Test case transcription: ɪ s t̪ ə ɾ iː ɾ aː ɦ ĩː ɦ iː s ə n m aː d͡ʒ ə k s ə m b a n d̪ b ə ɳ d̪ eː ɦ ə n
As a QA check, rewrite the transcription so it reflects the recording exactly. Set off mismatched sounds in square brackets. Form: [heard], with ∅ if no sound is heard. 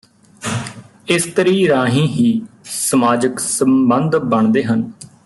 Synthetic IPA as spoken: ɪ s t̪ ə ɾ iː ɾ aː ɦ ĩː ɦ iː s ə [∅] m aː d͡ʒ ə k s ə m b [ə] n d̪ b ə ɳ d̪ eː ɦ ə n